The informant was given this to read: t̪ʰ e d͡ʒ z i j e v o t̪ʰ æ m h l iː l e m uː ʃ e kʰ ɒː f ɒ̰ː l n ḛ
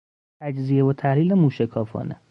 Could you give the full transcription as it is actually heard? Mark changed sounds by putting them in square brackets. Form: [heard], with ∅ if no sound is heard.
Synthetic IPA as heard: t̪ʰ [æ] d͡ʒ z i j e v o t̪ʰ æ [∅] h l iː l e m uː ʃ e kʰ ɒː f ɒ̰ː [∅] n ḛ